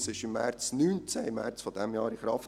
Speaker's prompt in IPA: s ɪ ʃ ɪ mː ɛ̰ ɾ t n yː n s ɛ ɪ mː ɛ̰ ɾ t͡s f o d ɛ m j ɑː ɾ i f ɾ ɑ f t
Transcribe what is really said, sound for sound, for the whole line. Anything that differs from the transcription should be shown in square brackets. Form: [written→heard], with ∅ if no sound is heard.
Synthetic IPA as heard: s ɪ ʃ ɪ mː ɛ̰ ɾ [t→t͡s] n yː n [s→t͡s] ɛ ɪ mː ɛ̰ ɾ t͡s f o d ɛ m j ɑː ɾ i [f→χ] ɾ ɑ f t